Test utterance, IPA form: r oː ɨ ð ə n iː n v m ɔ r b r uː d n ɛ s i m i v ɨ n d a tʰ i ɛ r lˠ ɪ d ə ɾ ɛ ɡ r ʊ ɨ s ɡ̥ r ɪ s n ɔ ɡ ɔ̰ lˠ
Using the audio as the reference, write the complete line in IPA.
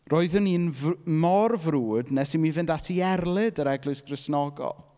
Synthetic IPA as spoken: r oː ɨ ð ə n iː n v m ɔ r v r uː d n ɛ s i m i v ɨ n d a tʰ i ɛ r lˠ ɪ d ə ɾ ɛ ɡ l ʊ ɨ s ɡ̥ r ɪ s n ɔ ɡ ɔ̰ lˠ

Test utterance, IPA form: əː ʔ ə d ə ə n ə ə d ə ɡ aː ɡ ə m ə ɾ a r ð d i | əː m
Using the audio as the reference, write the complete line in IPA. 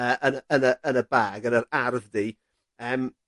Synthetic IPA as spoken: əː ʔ ə n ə ə n ə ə n ə b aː ɡ ə n ə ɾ a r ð d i | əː m

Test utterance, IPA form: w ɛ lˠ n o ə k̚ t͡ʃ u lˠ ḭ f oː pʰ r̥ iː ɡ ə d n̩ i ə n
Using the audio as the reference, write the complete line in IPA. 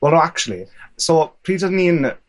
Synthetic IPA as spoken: w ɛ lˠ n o a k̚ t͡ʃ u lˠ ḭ s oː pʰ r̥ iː d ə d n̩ i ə n

